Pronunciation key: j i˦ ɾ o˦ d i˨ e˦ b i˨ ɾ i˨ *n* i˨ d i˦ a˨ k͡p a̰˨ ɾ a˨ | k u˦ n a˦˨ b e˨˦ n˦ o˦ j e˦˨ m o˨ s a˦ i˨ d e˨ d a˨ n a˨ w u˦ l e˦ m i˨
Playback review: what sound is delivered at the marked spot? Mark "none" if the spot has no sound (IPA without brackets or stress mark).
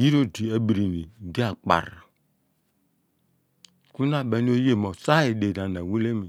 n